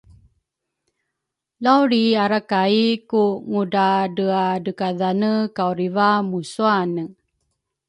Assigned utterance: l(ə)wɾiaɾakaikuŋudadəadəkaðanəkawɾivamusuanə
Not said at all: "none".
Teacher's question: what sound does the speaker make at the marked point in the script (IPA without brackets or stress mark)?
a